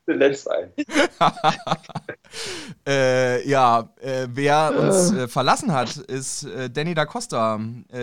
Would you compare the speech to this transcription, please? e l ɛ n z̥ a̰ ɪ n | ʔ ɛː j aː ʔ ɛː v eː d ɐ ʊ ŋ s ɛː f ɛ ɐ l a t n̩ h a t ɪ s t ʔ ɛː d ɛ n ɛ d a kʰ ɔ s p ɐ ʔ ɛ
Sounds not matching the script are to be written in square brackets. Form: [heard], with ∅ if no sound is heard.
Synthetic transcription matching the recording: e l ɛ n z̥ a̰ ɪ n | ʔ ɛː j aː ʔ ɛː v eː [∅] ɐ ʊ [n] s ɛː f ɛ ɐ l a [s] n̩ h a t ɪ s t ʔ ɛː d ɛ n [i] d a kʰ ɔ s [t] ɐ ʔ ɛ